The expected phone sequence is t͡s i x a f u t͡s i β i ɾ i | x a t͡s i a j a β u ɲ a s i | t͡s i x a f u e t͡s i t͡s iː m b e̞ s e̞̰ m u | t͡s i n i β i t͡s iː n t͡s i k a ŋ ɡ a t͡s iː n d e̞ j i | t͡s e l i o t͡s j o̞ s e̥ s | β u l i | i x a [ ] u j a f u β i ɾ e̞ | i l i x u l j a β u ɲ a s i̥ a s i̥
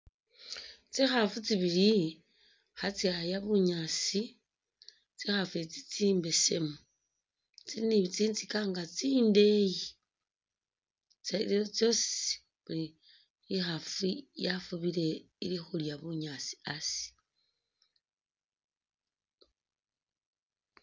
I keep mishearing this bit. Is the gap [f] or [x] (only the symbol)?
f